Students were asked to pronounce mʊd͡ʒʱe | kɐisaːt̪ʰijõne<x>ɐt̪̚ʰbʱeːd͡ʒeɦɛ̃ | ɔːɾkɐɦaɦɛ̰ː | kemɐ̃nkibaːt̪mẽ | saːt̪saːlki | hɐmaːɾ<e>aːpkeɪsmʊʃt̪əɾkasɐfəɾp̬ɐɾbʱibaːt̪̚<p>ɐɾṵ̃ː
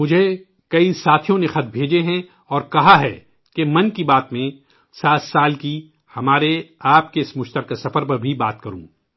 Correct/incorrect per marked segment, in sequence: correct, correct, incorrect

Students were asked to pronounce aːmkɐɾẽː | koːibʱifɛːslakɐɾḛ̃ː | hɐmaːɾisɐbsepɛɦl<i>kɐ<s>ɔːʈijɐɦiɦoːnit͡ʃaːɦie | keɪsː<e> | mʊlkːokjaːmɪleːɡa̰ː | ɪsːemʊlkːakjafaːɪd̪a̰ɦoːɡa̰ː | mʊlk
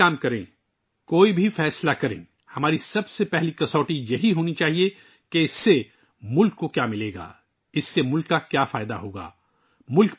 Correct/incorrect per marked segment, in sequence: correct, correct, correct

